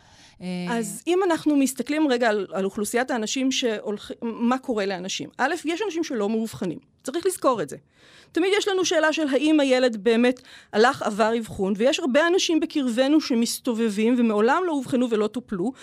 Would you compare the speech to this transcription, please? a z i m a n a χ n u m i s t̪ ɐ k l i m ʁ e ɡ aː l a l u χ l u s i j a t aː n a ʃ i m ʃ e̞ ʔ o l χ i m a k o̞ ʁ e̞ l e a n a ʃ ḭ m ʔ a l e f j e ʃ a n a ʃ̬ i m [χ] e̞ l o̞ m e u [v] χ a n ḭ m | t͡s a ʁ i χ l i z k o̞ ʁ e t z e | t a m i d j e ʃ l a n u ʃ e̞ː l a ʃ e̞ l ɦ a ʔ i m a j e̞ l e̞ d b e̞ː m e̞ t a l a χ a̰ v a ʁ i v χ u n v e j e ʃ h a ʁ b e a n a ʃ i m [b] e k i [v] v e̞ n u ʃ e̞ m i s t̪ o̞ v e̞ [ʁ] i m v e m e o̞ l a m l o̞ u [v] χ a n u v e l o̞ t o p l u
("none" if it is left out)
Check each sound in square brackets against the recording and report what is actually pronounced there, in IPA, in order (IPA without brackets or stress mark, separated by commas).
ʃ, v, b, ʁ, v, v